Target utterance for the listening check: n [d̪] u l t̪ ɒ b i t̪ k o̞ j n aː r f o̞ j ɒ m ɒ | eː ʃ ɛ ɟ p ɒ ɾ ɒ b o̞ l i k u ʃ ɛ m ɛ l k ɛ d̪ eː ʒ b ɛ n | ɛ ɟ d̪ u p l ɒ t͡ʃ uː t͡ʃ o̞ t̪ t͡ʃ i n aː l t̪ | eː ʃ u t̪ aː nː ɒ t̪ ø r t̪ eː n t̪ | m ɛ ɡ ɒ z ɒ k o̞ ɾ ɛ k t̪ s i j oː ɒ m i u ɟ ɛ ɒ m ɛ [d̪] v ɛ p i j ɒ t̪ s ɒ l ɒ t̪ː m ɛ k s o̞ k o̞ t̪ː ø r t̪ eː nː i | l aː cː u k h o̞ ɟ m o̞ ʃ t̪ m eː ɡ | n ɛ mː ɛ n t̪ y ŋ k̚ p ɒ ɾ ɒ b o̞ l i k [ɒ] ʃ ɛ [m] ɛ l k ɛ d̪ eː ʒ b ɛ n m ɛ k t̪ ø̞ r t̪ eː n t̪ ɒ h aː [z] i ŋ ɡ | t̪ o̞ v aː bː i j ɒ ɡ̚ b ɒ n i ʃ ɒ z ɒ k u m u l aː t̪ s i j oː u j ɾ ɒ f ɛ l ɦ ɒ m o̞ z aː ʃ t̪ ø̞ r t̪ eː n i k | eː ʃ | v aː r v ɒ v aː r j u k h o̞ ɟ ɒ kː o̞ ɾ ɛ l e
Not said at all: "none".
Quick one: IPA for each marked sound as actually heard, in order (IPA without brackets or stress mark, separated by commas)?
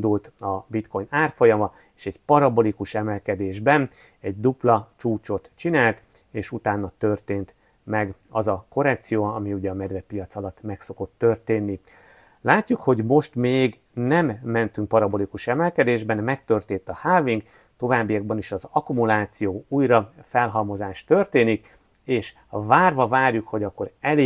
d̪, d̪, u, m, v